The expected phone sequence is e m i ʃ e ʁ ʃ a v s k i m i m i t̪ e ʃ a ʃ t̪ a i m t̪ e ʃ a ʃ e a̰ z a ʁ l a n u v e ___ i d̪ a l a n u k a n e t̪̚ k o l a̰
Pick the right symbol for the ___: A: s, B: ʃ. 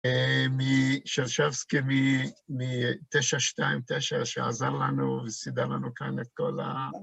A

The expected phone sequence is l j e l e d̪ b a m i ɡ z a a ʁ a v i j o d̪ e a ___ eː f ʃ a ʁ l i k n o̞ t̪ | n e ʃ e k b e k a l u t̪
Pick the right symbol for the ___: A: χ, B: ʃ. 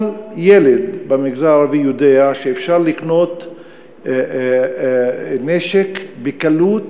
B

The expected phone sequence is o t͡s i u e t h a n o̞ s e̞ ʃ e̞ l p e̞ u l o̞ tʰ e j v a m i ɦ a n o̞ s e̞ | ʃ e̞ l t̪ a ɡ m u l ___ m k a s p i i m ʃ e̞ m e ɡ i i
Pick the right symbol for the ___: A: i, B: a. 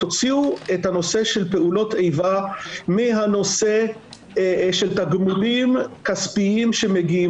A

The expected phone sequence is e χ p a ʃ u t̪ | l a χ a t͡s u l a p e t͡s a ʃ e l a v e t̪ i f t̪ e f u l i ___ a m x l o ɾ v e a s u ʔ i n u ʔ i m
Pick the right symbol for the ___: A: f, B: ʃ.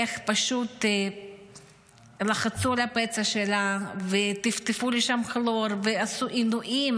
B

